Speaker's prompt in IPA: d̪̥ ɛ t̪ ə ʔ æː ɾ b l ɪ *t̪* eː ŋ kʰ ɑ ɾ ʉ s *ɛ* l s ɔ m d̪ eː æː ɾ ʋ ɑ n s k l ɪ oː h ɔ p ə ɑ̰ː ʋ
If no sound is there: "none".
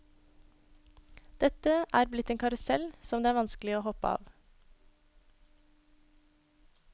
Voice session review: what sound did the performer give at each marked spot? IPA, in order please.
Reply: t̪, ɛ

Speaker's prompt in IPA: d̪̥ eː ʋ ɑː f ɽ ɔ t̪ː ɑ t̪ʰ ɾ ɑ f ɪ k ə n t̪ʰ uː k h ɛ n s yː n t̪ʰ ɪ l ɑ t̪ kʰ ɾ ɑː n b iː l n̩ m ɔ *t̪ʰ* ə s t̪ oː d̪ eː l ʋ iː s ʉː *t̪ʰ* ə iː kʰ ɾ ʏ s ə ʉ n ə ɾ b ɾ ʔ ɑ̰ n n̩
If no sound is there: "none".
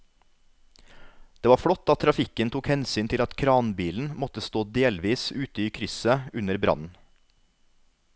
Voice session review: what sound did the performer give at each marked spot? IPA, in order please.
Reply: t̪, t̪

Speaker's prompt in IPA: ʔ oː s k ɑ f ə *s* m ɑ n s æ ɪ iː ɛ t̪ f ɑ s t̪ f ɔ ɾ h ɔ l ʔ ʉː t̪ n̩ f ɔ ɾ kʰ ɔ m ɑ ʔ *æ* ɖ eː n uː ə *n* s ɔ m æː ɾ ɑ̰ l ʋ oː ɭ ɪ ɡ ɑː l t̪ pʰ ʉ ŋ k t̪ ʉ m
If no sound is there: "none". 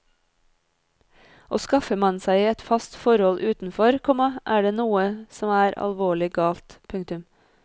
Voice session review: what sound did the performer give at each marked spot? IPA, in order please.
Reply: none, æː, none

